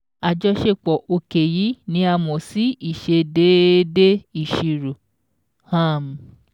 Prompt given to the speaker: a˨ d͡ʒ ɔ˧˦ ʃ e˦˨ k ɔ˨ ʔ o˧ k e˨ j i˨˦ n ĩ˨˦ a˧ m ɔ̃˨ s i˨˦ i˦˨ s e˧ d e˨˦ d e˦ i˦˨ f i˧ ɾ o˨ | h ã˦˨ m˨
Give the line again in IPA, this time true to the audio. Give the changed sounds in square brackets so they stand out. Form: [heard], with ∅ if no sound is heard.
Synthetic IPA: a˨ d͡ʒ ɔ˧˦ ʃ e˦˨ [k͡p] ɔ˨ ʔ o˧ k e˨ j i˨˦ n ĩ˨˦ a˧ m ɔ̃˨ s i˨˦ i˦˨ [ʃ] e˧ d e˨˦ d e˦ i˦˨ [ʃ] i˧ ɾ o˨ | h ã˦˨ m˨